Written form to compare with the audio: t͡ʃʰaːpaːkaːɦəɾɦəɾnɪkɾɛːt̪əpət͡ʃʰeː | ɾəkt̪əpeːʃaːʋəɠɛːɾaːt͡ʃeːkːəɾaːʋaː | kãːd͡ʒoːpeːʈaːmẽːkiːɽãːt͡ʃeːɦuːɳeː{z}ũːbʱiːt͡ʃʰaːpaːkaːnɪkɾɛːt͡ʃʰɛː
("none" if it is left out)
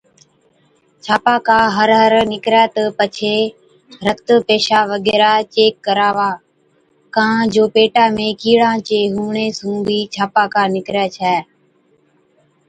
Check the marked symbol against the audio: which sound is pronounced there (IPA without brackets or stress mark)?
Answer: s